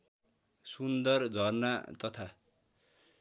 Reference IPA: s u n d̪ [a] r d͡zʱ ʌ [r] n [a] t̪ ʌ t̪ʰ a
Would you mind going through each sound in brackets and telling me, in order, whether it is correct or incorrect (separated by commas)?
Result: incorrect, correct, correct